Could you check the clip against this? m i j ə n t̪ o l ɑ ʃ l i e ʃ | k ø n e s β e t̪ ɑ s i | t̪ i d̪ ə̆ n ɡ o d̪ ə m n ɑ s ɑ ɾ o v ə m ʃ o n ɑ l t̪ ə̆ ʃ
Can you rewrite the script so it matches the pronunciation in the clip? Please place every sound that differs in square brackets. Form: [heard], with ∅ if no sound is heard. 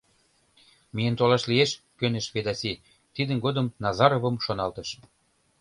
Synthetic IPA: m i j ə n t̪ o l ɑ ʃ l i e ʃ | k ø n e [ʃ] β e [d̪] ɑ s i | t̪ i d̪ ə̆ n ɡ o d̪ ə m n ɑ [z] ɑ ɾ o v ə m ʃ o n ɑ l t̪ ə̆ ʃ